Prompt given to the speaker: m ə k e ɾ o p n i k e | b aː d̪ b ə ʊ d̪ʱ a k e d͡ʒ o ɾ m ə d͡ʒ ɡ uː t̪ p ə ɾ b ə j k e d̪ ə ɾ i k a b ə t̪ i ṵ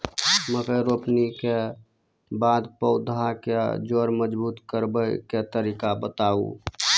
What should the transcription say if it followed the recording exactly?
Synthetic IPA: m ə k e ɾ o p n i k e | b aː d̪ p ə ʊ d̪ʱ a k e d͡ʒ o ɾ m ə d͡ʒ b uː t̪ k ə ɾ b ə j k e t̪ ə ɾ i k a b ə t̪ a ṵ

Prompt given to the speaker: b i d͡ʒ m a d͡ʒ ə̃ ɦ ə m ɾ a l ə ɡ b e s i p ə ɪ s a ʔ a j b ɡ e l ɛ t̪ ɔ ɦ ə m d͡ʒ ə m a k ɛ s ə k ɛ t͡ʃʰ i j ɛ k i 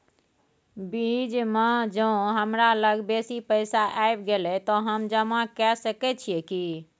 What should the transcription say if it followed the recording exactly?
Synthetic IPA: b i d͡ʒ m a d͡ʒ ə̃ ɦ ə m ɾ a l ə ɡ b e s i p ə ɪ s a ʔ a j b ɡ e l ɛ t̪ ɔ ɦ ə m d͡ʒ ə m a k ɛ s ə k ɛ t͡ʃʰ i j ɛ k i

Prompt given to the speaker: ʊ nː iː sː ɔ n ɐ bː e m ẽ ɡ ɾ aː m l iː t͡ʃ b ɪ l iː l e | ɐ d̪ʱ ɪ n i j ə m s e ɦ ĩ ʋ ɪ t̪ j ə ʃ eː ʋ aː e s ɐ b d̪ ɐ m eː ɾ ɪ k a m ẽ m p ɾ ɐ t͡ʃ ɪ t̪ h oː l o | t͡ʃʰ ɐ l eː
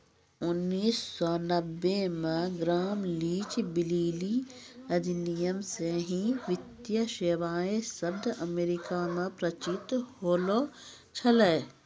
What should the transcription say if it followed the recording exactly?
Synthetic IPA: ʊ nː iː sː ɔ n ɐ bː e m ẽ ɡ ɾ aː m l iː t͡ʃ b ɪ l iː l i | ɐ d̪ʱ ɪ n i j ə m s e ɦ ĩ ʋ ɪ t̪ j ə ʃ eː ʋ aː e s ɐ b d̪ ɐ m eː ɾ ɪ k a m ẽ p ɾ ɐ t͡ʃ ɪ t̪ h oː l o | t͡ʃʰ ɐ l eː

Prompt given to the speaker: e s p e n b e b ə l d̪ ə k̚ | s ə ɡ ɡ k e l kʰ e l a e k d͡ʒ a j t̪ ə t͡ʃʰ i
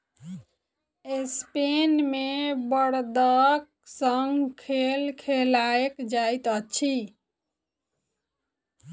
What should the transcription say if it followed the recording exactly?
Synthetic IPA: e s p e n m e b ə ɽ d̪ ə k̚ | s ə ŋ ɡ kʰ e l kʰ e l a e k d͡ʒ a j t̪ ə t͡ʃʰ i

